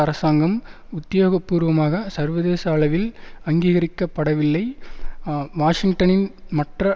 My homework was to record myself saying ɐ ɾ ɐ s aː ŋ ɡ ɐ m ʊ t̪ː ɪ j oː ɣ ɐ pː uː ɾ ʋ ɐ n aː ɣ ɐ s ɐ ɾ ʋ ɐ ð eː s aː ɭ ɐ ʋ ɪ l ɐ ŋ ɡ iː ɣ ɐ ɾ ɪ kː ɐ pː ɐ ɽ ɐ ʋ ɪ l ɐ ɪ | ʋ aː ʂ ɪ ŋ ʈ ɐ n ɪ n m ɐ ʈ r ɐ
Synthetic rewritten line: ɐ ɾ ɐ s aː ŋ ɡ ɐ m ʊ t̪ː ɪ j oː ɣ ɐ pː uː ɾ ʋ ɐ m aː ɣ ɐ s ɐ ɾ ʋ ɐ ð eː s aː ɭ ɐ ʋ ɪ l ɐ ŋ ɡ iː ɣ ɐ ɾ ɪ kː ɐ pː ɐ ɽ ɐ ʋ ɪ lː ɐ ɪ | ʋ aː ʂ ɪ ŋ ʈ ɐ n ɪ n m ɐ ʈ r ɐ